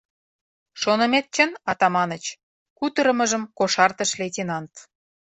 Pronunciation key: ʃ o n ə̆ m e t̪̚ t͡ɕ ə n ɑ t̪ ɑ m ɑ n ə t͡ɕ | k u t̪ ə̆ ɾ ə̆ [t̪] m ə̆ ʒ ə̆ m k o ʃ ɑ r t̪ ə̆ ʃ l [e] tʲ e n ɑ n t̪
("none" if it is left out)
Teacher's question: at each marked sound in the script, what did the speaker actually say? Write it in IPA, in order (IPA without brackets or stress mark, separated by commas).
none, e